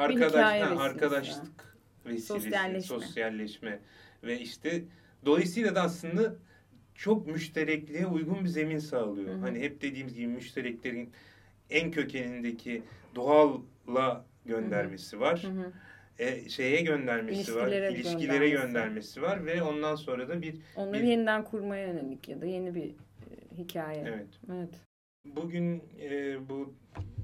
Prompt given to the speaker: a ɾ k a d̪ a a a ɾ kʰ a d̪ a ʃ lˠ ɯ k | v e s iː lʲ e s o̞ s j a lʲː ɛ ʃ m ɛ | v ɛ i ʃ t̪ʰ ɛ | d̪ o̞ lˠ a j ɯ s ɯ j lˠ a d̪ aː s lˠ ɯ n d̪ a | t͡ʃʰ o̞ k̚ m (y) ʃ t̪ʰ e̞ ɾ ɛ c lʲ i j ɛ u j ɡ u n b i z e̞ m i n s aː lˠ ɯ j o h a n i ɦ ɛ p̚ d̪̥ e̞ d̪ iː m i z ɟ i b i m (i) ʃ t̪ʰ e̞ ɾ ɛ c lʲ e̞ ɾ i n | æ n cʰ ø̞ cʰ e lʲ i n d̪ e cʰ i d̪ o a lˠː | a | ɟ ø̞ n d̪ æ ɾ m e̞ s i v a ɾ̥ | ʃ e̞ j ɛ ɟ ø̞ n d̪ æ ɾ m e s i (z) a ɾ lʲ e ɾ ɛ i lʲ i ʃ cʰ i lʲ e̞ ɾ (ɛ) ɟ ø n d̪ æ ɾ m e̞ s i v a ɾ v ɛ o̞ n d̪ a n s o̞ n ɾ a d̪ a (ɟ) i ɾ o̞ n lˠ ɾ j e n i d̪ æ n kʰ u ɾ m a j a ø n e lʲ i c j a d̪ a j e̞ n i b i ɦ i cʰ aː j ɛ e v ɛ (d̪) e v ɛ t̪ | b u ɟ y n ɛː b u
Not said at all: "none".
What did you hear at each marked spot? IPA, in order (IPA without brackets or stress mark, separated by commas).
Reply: y, y, v, ɛ, b, t̪